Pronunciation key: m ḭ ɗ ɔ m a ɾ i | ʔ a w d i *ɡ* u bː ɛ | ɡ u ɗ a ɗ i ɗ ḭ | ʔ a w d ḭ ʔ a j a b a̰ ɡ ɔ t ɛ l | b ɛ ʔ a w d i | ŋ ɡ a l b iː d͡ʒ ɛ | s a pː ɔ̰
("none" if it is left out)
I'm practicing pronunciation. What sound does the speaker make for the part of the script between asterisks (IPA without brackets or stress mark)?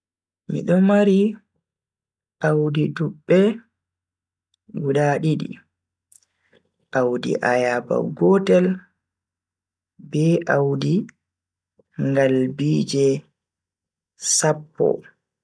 d